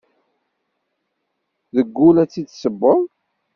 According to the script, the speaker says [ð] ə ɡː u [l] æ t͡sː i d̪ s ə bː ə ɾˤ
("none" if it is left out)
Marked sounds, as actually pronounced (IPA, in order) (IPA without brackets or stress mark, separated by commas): ð, l